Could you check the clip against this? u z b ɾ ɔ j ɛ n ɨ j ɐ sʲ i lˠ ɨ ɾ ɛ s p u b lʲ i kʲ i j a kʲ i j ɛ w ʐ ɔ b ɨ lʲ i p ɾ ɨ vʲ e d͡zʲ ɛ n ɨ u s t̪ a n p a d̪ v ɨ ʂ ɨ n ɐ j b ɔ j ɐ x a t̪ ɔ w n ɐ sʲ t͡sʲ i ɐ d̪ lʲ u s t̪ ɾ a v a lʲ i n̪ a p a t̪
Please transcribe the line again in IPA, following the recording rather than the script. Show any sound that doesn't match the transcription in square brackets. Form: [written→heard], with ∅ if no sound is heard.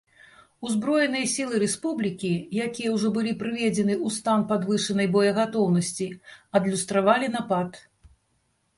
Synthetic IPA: u z b ɾ ɔ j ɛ n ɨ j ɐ sʲ i lˠ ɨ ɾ ɛ s p u b lʲ i kʲ i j a kʲ i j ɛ w ʐ ɔ b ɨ lʲ i p ɾ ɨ vʲ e d͡zʲ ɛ n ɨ u s t̪ a n p a d̪ v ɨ ʂ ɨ n ɐ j b ɔ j ɐ [x→ɣ] a t̪ ɔ w n ɐ sʲ t͡sʲ i ɐ d̪ lʲ u s t̪ ɾ a v a lʲ i n̪ a p a t̪

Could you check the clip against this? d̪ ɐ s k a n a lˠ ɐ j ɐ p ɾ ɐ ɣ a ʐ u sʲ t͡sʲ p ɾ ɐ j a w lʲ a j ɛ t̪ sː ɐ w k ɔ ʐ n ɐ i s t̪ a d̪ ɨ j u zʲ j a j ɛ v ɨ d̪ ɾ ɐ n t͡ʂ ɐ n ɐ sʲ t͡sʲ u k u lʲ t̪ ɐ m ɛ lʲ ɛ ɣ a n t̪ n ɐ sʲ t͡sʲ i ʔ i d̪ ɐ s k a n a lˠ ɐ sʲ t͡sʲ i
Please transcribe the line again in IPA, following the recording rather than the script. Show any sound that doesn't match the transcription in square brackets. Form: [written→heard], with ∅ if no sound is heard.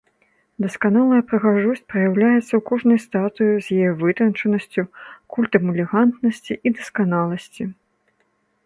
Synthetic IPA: d̪ ɐ s k a n a lˠ ɐ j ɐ p ɾ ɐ ɣ a ʐ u sʲ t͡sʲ p ɾ ɐ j a w lʲ a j ɛ t̪ sː ɐ w k ɔ ʐ n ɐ [i→j] s t̪ a [d̪→t̪] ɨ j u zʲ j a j ɛ v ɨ [d̪→t̪] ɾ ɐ n t͡ʂ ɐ n ɐ sʲ t͡sʲ u k u lʲ t̪ ɐ m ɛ lʲ ɛ ɣ a n t̪ n ɐ sʲ t͡sʲ i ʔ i d̪ ɐ s k a n a lˠ ɐ sʲ t͡sʲ i

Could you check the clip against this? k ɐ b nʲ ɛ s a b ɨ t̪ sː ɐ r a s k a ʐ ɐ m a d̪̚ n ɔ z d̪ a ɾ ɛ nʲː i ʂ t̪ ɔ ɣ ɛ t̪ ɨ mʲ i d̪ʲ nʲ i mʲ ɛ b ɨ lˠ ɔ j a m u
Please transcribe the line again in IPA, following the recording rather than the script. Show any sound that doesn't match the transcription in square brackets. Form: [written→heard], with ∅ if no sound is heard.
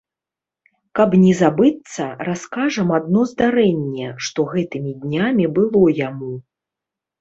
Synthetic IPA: k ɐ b nʲ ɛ [s→z] a b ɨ t̪ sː ɐ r a s k a ʐ ɐ m a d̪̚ n ɔ z d̪ a ɾ ɛ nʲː [i→ɛ] ʂ t̪ ɔ ɣ ɛ t̪ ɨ mʲ i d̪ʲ nʲ [i→a] mʲ [ɛ→i] b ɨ lˠ ɔ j a m u

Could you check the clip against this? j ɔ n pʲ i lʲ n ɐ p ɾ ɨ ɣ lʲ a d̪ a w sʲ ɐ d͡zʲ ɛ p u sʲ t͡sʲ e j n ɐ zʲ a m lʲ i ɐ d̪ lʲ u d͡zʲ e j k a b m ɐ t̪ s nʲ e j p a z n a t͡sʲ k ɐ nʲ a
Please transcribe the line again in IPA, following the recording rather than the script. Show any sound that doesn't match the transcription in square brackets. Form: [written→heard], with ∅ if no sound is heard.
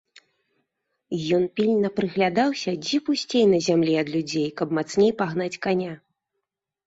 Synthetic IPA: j ɔ n pʲ i lʲ n ɐ p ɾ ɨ ɣ lʲ a d̪ a w sʲ ɐ d͡zʲ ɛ p u sʲ t͡sʲ e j n ɐ zʲ a m lʲ i ɐ d̪ lʲ u d͡zʲ e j k [a→ɐ] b m [ɐ→a] t̪ s nʲ e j p a [z→ɣ] n a t͡sʲ k [ɐ→a] nʲ a

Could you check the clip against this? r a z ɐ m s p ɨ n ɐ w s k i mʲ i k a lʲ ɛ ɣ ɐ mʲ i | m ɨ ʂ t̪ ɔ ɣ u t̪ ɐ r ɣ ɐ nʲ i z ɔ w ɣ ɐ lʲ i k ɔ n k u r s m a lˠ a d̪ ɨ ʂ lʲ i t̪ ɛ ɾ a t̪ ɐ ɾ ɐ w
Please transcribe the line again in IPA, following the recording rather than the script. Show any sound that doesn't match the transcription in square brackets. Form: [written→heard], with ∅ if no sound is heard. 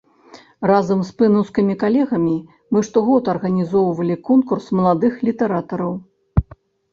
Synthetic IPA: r a z ɐ m s p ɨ n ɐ w s k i mʲ i k a lʲ ɛ ɣ ɐ mʲ i | m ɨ ʂ t̪ ɔ ɣ [u→ɔ] t̪ ɐ r ɣ ɐ nʲ i z ɔ w [ɣ→v] ɐ lʲ i k ɔ n k u r s m [a→ɐ] lˠ a d̪ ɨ [ʂ→x] lʲ i t̪ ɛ ɾ a t̪ ɐ ɾ ɐ w

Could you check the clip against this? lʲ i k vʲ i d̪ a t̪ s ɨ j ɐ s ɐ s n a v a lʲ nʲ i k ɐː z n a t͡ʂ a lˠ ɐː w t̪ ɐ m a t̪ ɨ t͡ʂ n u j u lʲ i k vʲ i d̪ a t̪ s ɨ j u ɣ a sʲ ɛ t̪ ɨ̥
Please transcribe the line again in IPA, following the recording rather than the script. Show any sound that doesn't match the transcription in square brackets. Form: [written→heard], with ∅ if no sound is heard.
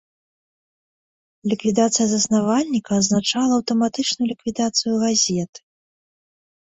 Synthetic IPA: lʲ i k vʲ i d̪ a t̪ s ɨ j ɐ [s→z] ɐ s n a v a lʲ nʲ i k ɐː z n a t͡ʂ a lˠ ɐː w t̪ ɐ m a t̪ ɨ t͡ʂ n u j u lʲ i k vʲ i d̪ a t̪ s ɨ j u ɣ a [sʲ→zʲ] ɛ t̪ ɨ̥

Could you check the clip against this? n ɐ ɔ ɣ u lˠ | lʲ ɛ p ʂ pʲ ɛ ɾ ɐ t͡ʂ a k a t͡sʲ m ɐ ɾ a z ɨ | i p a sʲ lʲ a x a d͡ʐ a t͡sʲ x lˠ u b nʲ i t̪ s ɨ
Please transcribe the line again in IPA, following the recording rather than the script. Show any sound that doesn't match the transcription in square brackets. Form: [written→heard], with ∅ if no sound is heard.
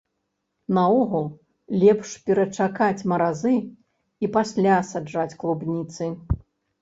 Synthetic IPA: n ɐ ɔ ɣ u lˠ | lʲ ɛ p ʂ pʲ ɛ ɾ ɐ t͡ʂ a k a t͡sʲ m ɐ ɾ a z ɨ | i p a sʲ lʲ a [x→s] a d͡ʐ a t͡sʲ [x→k] lˠ u b nʲ i t̪ s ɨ

